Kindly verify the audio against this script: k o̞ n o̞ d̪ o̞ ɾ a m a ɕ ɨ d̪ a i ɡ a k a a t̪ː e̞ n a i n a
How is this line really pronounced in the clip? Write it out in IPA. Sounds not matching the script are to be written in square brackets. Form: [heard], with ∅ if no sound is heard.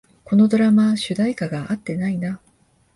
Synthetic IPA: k o̞ n o̞ d̪ o̞ ɾ a m a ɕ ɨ d̪ a i [k] a [ɡ] a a t̪ː e̞ n a i n a